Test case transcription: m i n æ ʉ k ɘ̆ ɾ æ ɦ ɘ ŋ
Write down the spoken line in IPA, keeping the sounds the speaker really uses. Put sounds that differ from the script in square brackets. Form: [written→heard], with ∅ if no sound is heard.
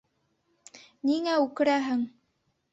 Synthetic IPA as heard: [m→n] i [n→ŋ] æ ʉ k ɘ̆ ɾ æ ɦ ɘ ŋ